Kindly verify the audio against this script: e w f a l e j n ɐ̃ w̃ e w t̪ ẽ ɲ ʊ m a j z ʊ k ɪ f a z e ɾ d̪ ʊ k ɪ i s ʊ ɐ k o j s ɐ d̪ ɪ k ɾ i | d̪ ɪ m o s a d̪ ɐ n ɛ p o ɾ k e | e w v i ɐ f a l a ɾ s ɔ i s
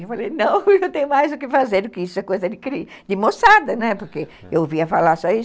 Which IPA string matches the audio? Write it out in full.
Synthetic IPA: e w f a l e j n ɐ̃ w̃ e w t̪ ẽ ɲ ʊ m a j z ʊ k ɪ f a z e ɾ d̪ ʊ k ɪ i s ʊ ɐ k o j z ɐ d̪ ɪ k ɾ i | d̪ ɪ m o s a d̪ ɐ n ɛ p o ɾ k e | e w v i ɐ f a l a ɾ s ɔ i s